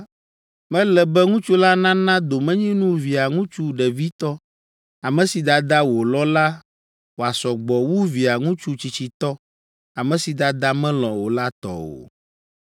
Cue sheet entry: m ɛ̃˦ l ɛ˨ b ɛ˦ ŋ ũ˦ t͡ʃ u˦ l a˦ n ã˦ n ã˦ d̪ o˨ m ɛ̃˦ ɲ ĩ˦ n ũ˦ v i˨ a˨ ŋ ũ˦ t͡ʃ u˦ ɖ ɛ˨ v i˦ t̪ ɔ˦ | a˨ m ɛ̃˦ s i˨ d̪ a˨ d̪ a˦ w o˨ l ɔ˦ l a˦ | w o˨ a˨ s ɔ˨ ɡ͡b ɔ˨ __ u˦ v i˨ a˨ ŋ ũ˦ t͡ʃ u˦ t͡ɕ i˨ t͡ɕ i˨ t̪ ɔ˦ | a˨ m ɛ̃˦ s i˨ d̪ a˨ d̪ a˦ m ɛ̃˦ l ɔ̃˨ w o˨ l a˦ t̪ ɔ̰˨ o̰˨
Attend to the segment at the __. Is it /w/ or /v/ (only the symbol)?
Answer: w